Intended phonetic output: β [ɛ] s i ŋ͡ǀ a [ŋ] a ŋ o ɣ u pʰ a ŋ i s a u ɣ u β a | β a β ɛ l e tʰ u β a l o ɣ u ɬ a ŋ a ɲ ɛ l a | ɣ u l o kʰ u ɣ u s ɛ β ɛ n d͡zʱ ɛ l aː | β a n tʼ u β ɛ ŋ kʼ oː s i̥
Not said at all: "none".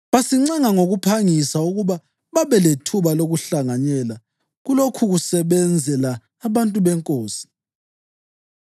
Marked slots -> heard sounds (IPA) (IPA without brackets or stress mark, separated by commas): a, ŋ